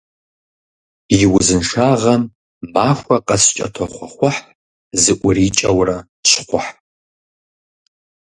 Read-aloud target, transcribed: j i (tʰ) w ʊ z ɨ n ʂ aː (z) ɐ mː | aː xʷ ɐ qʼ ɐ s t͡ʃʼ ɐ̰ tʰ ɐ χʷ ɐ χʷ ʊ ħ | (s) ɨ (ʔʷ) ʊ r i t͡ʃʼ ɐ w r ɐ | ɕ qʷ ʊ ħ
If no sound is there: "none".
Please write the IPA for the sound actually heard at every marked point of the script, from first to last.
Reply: none, ʁ, z, ʔʷ

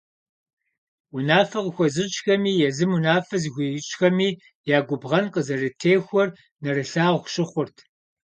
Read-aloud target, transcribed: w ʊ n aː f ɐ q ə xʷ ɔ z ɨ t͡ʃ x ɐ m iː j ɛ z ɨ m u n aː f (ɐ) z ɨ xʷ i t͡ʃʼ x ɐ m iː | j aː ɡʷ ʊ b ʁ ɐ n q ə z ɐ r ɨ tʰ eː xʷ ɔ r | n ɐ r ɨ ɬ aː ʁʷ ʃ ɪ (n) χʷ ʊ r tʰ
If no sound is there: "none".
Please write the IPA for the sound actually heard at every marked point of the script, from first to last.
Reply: ɐ, none

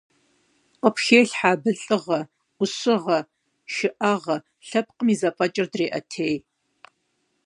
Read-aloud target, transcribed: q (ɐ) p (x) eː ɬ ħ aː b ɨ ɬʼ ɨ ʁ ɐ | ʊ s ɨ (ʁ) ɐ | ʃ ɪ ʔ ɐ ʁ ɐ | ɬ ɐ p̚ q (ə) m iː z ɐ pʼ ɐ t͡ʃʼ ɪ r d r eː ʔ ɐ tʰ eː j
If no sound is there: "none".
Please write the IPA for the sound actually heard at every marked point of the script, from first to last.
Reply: ə, x, ʁ, ə

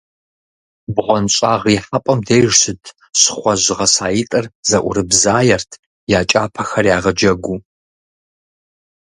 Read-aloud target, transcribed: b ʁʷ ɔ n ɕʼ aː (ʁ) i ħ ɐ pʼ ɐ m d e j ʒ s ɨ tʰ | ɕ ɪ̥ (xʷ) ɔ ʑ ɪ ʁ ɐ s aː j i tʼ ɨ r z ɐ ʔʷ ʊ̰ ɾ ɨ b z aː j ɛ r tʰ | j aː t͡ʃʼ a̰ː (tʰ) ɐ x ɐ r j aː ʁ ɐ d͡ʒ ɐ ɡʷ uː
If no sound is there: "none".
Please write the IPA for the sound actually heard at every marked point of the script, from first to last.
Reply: ʁ, χʷ, pʰ

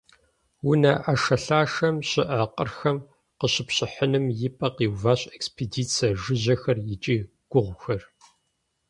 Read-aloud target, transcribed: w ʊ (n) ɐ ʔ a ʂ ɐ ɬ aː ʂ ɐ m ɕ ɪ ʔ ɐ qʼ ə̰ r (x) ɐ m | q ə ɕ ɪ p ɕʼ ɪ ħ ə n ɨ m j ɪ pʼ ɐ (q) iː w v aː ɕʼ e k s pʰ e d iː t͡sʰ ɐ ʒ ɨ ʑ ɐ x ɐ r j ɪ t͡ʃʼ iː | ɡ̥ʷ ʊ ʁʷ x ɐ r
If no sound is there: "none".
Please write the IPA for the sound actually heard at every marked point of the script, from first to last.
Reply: n, x, q

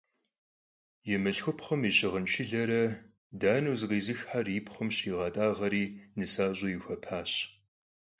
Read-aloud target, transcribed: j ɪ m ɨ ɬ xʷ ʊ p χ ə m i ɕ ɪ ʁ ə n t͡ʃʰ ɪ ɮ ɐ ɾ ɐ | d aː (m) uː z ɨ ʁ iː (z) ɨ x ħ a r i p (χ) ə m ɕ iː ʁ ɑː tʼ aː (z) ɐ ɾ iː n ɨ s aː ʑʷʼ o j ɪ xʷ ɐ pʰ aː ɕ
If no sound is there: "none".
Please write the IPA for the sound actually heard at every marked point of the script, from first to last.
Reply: n, z, χ, ʁ

